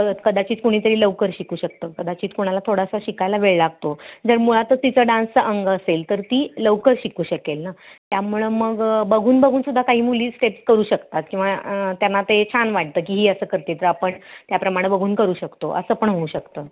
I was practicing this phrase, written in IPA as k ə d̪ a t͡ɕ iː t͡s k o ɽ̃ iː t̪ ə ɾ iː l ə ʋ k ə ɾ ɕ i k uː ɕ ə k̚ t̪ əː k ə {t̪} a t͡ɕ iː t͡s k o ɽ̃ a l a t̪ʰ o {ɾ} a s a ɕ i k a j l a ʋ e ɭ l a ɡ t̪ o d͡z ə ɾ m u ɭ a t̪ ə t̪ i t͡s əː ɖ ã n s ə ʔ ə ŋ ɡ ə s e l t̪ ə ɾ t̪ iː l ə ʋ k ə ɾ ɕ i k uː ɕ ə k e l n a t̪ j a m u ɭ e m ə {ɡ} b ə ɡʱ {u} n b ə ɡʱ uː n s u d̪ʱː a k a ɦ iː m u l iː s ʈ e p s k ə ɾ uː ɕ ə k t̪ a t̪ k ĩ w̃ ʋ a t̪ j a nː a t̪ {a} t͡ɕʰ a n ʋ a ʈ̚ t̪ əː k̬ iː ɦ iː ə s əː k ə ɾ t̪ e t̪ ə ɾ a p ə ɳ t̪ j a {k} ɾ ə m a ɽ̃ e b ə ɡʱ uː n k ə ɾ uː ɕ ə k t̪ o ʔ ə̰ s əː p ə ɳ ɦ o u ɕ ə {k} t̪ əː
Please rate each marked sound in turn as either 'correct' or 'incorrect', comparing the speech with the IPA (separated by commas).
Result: incorrect, incorrect, correct, incorrect, incorrect, incorrect, correct